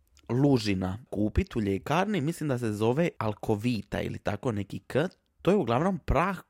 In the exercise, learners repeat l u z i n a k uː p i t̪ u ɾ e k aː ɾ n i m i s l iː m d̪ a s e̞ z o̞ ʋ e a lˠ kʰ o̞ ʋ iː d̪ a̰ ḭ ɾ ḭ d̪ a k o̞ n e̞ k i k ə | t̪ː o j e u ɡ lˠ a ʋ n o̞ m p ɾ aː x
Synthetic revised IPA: l u ʒ i n a k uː p i t̪ u ʎ e k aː ɾ n i m i s l i m d̪ a s e̞ z o̞ ʋ e a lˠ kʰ o̞ ʋ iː t̪ a̰ ḭ l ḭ t̪ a k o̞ n e̞ k i k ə | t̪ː o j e u ɡ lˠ a ʋ n o̞ m p ɾ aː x